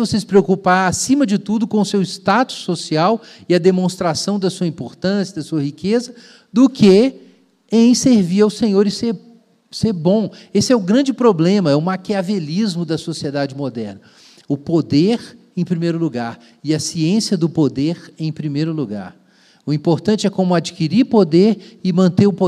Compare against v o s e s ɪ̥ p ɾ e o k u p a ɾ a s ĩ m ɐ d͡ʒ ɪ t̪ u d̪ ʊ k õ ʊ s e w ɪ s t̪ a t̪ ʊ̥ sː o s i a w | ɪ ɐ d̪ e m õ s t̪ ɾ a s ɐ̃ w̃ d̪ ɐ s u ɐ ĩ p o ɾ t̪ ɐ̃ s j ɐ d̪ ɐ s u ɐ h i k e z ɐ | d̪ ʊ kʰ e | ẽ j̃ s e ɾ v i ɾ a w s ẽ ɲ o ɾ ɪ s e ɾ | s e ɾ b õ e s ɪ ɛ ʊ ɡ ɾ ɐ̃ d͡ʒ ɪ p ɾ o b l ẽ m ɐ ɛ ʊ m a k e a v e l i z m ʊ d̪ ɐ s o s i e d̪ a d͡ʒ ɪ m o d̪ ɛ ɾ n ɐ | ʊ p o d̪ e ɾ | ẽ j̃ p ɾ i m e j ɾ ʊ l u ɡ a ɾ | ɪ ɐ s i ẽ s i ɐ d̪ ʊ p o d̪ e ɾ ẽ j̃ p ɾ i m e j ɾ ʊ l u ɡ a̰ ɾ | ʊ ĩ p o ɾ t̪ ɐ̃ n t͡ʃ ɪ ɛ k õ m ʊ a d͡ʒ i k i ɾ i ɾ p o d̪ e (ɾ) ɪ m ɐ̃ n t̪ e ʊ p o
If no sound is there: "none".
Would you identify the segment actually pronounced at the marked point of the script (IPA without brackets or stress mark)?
ɾ